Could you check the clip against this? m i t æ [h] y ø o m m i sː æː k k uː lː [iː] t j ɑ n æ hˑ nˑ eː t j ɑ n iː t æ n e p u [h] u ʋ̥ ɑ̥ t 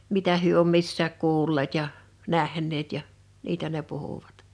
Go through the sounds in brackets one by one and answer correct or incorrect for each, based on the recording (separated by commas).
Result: correct, incorrect, correct